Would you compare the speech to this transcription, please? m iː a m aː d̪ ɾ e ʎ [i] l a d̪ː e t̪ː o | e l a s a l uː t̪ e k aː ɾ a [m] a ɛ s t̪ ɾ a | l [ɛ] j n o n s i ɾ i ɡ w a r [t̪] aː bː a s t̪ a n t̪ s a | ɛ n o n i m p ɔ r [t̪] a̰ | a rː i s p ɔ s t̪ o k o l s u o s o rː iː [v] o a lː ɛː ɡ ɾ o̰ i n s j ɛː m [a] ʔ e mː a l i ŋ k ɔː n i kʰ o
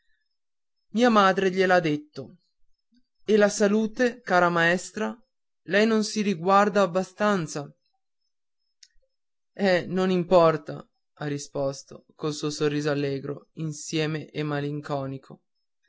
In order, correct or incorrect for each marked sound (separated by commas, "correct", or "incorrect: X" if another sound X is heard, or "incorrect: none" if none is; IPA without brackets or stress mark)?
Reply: incorrect: e, correct, correct, incorrect: d̪, correct, incorrect: z, incorrect: e